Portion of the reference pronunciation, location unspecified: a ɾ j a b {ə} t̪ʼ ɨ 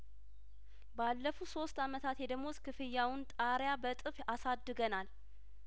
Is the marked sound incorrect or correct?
correct